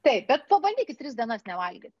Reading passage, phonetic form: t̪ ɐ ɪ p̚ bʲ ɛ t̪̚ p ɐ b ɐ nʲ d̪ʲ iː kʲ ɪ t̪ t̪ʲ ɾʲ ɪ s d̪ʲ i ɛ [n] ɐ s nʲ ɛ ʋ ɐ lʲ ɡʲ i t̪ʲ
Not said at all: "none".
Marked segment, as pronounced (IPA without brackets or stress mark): n